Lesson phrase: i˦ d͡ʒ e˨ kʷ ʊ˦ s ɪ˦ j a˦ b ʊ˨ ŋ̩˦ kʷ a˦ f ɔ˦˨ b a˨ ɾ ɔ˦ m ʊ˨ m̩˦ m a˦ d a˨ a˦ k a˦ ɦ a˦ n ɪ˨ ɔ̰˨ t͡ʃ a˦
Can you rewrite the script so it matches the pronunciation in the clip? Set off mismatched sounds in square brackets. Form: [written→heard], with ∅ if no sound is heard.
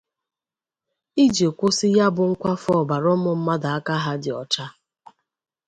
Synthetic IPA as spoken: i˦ d͡ʒ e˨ kʷ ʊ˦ s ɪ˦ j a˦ b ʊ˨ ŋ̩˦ kʷ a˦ f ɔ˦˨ b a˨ ɾ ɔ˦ m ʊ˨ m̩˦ m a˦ d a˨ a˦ k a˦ ɦ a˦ [n→d] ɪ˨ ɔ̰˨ t͡ʃ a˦